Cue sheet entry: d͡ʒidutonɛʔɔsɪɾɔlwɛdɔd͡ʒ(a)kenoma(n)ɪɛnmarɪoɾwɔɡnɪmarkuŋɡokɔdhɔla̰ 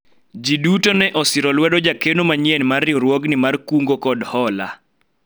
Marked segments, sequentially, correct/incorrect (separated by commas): correct, incorrect